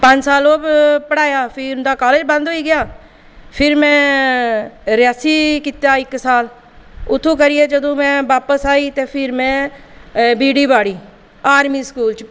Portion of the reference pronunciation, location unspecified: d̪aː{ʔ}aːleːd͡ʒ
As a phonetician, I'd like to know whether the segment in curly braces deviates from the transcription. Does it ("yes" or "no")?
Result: yes